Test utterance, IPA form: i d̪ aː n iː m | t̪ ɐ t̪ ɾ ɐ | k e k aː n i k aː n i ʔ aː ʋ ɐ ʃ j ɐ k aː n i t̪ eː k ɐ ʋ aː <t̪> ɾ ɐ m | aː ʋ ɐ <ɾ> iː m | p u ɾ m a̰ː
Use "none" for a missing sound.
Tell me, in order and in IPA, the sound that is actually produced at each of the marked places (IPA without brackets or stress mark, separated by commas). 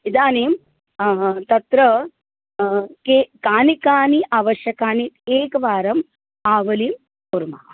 none, l